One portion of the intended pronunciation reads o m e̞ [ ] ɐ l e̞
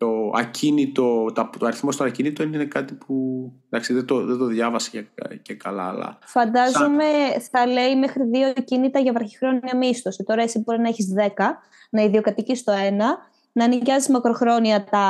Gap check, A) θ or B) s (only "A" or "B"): A